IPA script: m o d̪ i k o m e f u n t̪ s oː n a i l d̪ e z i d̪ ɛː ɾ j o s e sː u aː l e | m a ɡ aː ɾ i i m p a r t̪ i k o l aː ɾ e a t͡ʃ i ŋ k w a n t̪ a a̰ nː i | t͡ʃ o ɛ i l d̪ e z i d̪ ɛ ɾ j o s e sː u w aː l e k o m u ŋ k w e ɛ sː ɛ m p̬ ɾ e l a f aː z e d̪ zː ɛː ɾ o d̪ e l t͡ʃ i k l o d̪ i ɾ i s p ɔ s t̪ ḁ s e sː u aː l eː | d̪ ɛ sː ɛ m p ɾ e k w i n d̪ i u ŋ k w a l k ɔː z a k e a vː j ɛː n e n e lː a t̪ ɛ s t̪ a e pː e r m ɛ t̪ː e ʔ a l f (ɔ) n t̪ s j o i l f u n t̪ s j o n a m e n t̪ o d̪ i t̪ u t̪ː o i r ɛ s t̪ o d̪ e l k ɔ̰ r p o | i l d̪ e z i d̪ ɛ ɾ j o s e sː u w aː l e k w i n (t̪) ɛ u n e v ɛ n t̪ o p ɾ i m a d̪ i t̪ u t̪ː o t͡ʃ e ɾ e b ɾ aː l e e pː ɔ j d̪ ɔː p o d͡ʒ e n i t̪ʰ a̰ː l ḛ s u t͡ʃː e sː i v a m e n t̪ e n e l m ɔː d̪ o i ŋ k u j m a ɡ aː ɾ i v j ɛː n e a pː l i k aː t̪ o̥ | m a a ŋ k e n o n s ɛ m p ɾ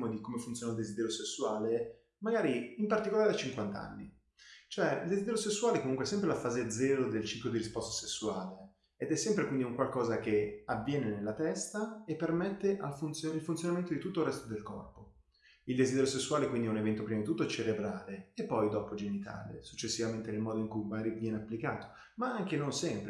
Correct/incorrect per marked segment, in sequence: incorrect: u, incorrect: d̪

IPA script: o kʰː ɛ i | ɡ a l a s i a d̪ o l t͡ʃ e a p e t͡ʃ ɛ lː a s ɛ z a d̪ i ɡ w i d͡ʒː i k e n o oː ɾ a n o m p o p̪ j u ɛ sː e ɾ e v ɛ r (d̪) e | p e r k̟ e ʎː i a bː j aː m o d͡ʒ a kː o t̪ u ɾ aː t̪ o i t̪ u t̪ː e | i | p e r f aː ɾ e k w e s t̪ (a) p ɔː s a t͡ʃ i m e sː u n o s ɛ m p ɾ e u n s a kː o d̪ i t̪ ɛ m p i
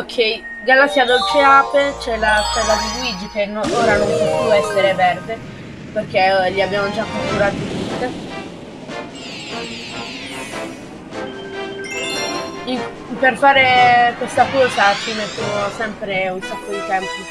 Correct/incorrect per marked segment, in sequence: correct, correct

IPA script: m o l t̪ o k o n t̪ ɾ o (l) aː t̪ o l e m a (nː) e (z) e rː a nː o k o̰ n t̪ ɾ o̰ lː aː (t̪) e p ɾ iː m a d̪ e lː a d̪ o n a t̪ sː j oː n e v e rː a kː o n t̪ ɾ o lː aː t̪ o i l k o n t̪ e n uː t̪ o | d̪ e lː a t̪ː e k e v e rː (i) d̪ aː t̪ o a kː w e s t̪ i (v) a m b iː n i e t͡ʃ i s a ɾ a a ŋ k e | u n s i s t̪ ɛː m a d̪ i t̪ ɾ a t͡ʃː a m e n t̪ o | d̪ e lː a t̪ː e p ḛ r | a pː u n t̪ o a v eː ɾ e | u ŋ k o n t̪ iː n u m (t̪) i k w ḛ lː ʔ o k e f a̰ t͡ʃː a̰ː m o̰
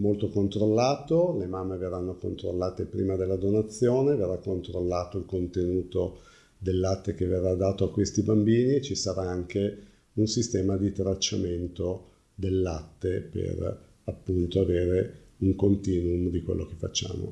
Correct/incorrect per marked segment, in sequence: incorrect: lː, incorrect: mː, incorrect: v, correct, incorrect: a, incorrect: b, incorrect: d̪

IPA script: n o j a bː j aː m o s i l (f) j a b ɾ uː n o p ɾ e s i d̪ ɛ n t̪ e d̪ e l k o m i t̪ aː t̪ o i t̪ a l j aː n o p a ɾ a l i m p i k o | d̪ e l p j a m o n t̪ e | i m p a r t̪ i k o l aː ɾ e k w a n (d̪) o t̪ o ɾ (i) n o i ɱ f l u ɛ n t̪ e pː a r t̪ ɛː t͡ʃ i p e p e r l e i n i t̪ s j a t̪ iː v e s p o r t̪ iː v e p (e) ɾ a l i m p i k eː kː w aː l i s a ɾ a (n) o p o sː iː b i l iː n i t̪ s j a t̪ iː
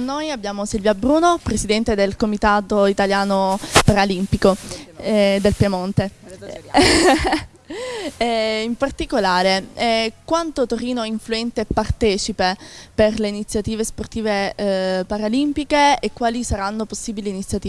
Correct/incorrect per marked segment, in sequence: incorrect: v, incorrect: t̪, incorrect: iː, incorrect: a, incorrect: nː

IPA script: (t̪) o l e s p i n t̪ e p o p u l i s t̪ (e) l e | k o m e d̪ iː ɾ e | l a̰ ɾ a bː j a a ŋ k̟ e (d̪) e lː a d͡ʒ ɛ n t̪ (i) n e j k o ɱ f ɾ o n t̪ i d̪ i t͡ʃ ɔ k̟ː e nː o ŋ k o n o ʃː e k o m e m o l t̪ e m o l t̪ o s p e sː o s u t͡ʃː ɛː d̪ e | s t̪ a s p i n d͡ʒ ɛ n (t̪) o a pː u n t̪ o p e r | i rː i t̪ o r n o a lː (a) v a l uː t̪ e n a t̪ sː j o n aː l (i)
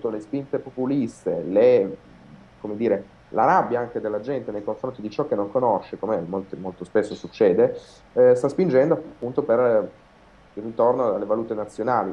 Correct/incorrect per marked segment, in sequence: correct, correct, correct, incorrect: e, incorrect: d̪, incorrect: e, correct

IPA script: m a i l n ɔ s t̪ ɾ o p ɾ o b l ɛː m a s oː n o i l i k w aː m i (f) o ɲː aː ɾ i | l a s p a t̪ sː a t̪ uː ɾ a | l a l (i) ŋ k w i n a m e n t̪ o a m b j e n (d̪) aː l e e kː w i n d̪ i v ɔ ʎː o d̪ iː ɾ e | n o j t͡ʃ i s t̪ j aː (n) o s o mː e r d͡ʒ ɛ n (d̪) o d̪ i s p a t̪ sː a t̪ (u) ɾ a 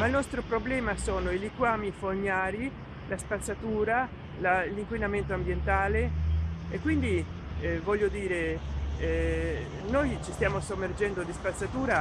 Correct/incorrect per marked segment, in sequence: correct, correct, incorrect: t̪, incorrect: m, correct, incorrect: uː

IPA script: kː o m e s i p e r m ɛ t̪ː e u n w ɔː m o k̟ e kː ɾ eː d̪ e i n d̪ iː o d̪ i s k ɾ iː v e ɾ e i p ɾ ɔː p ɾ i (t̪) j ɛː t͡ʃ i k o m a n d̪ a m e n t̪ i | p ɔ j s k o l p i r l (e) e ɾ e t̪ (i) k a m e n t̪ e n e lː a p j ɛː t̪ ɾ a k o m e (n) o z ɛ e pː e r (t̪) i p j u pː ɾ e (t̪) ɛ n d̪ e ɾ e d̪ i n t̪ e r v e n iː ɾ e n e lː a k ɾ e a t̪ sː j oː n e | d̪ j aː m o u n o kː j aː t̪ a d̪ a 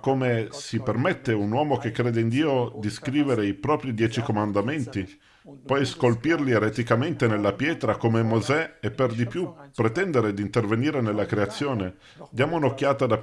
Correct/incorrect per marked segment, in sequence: incorrect: d̪, incorrect: i, correct, incorrect: m, incorrect: d̪, correct

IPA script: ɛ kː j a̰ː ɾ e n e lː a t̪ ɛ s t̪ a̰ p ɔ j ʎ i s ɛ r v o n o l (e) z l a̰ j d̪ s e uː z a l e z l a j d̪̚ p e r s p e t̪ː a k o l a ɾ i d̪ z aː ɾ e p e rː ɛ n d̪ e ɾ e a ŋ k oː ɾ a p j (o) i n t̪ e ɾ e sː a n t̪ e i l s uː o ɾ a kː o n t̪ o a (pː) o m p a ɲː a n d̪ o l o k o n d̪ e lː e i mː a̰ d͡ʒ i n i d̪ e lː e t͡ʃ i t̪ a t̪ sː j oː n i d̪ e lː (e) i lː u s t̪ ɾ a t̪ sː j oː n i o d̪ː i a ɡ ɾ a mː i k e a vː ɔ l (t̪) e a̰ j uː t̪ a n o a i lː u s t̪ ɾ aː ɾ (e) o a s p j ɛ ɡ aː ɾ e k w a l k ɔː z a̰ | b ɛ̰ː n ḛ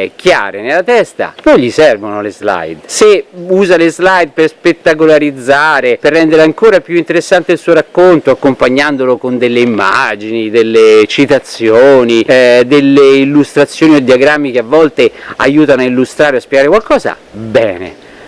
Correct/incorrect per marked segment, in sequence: correct, incorrect: u, incorrect: kː, correct, correct, correct

